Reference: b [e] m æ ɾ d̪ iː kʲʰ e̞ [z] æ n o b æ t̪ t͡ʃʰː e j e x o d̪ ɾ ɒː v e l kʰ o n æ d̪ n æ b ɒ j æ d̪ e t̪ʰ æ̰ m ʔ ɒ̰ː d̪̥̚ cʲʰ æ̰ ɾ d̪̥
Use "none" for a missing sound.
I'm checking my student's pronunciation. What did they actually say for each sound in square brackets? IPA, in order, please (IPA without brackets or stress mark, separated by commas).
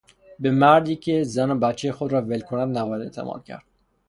e, z